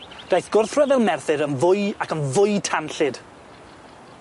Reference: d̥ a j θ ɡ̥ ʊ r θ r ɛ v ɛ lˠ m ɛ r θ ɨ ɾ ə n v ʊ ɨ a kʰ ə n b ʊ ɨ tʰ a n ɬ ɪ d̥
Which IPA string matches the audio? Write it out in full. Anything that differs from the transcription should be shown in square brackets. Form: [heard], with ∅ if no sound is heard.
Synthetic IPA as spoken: d̥ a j θ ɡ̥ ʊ r θ r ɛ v ɛ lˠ m ɛ r θ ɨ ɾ ə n v ʊ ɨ a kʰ ə n [v] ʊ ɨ tʰ a n ɬ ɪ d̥